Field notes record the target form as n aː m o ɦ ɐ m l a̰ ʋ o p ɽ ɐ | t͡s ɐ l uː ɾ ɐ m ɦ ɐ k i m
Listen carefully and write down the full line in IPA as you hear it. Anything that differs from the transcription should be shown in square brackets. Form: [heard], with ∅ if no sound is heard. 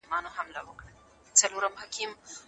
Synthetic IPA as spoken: [m] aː [n] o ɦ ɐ m l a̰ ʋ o [k] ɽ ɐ | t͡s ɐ l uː ɾ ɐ m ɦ ɐ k i m